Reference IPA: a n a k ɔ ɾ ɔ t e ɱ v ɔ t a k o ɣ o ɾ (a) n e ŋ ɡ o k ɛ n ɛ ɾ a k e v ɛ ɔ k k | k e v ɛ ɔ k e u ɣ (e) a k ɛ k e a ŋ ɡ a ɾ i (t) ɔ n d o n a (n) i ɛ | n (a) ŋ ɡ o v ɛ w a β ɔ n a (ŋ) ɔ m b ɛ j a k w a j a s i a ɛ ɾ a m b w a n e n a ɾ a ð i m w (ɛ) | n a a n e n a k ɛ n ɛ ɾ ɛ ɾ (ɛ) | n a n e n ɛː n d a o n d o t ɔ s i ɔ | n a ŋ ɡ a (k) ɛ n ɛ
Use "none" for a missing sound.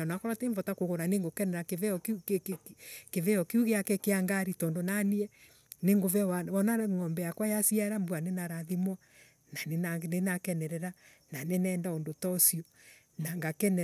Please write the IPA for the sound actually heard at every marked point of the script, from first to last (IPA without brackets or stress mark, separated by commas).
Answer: a, e, t, n, e, ŋ, a, a, k